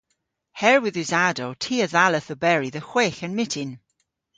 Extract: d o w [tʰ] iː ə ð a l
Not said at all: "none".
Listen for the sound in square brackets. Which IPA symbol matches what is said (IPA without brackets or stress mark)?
tʰ